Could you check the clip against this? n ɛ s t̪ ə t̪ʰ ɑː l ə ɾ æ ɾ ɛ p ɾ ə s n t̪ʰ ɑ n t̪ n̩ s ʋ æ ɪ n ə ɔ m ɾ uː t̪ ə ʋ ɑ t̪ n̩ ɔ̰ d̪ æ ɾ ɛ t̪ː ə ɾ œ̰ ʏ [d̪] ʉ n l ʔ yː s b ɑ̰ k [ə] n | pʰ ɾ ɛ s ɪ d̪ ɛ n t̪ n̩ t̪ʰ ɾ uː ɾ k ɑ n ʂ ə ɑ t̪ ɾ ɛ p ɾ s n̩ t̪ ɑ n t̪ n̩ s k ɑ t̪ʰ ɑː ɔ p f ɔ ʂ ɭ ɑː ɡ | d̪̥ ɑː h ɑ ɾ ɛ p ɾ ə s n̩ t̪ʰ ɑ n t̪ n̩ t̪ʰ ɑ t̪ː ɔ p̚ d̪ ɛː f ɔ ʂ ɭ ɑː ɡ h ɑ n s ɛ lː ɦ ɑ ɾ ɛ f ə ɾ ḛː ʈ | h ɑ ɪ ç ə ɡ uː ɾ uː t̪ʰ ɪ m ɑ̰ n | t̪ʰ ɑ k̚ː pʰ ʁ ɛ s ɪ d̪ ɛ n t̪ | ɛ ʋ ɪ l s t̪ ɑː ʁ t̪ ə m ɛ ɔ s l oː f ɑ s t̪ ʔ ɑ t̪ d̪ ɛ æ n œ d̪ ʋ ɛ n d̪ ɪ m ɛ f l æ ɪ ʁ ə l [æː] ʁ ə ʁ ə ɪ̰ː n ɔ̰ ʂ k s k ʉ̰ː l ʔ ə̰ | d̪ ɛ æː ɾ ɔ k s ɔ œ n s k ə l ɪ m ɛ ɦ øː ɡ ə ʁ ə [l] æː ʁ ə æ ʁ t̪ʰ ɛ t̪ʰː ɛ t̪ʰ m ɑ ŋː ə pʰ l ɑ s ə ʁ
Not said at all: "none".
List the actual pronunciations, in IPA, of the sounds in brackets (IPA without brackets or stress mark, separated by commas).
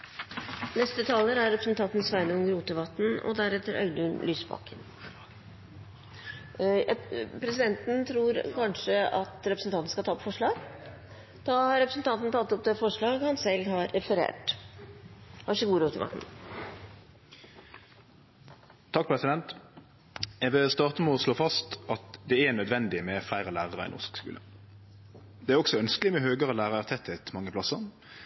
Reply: d̪, ə, æː, l